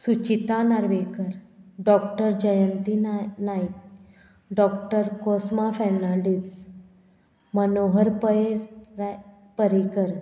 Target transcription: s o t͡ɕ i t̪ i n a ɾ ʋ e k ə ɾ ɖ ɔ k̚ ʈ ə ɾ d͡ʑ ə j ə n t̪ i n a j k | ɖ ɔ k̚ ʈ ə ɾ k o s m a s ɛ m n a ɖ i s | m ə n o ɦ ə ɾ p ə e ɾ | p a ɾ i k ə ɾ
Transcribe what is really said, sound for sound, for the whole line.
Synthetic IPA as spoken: s u t͡ɕ i t̪ a n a ɾ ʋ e k ə ɾ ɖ ɔ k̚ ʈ ə ɾ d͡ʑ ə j ə n t̪ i n a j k | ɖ ɔ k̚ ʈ ə ɾ k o s m a f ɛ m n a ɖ i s | m ə n o ɦ ə ɾ p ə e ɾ | p ə ɾ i k ə ɾ